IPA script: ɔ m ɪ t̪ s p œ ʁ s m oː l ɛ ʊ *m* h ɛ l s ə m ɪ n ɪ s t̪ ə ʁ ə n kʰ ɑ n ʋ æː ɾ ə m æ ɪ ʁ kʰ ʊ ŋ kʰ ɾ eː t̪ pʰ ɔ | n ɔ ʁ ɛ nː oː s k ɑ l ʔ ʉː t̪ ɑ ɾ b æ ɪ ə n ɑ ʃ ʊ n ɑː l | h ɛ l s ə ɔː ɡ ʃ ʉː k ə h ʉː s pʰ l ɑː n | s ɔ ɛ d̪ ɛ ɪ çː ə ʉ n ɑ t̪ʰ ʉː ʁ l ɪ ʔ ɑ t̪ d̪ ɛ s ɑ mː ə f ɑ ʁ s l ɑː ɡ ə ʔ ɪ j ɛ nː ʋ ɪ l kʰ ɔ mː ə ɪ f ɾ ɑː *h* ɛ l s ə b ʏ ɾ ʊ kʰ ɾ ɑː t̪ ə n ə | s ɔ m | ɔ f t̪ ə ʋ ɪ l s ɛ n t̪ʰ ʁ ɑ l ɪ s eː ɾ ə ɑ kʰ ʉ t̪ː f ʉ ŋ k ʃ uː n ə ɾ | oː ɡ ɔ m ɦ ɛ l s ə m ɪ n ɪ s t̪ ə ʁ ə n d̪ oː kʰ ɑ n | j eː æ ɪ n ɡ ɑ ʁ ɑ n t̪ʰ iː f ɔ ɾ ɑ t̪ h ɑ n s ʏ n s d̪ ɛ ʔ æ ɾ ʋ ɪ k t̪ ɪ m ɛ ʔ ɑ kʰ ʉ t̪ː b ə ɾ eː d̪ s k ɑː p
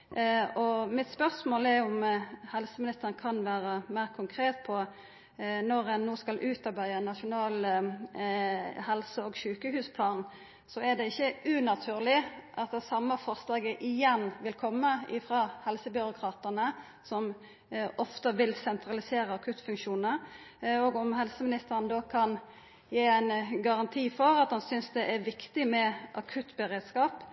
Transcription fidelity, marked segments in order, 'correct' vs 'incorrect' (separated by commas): correct, correct